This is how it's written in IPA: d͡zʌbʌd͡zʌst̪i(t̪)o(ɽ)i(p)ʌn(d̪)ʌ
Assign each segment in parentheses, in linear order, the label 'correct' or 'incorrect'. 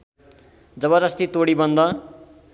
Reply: correct, correct, incorrect: b, correct

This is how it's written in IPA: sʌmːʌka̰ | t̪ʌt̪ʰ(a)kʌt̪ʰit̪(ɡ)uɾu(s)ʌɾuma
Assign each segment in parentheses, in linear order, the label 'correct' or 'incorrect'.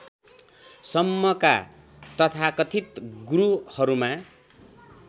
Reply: correct, correct, incorrect: h

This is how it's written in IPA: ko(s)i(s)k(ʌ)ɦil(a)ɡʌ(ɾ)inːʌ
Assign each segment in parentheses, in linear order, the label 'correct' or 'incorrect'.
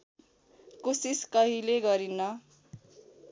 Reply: correct, correct, correct, incorrect: e, correct

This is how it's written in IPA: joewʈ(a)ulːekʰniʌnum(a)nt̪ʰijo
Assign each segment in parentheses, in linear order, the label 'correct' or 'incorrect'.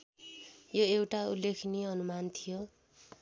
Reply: correct, correct

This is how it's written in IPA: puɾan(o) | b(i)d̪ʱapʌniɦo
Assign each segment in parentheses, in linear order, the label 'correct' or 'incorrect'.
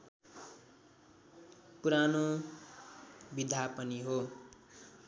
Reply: correct, correct

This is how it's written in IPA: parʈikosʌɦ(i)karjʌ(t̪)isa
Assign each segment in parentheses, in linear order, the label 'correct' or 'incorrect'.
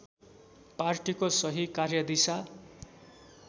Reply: correct, incorrect: d̪

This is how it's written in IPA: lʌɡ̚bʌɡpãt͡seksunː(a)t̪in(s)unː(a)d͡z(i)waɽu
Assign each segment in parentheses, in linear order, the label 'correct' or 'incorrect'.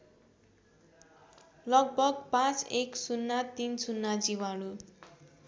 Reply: correct, correct, correct, correct

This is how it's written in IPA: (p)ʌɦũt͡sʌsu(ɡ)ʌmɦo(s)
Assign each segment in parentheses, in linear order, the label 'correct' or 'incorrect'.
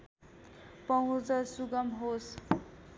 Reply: correct, correct, correct

